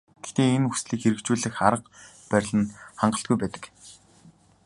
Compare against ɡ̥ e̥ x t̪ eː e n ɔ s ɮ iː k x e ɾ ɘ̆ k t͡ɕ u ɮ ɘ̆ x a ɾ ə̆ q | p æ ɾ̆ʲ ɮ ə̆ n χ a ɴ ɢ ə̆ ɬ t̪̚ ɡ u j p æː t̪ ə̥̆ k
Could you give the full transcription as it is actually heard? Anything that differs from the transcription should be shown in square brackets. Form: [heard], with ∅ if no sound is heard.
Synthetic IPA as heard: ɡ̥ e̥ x t̪ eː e n [u] s ɮ iː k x e ɾ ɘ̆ k t͡ɕ [uː] ɮ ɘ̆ x a ɾ ə̆ q | p æ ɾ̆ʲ ɮ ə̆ n χ a ɴ ɢ ə̆ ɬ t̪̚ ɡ u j p æː t̪ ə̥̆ k